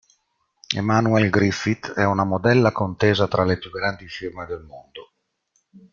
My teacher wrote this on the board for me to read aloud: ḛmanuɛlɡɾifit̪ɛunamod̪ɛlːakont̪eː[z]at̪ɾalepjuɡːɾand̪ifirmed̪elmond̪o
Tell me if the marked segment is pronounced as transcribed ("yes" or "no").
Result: yes